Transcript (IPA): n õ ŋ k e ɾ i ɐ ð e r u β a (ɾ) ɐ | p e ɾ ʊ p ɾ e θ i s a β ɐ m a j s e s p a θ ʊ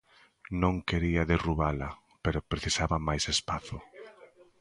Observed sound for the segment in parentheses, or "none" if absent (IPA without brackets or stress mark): l